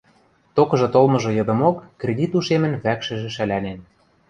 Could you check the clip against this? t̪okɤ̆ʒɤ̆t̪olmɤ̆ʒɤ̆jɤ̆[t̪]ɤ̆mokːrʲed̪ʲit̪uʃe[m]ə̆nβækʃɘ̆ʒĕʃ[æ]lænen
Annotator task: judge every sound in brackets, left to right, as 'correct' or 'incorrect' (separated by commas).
incorrect, correct, correct